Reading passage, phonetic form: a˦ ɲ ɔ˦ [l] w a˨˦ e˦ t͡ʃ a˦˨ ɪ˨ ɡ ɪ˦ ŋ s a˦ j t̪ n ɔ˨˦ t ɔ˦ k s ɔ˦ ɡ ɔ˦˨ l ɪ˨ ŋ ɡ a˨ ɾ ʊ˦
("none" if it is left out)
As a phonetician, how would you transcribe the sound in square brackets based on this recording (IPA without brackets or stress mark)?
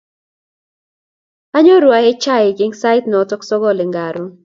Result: ɾ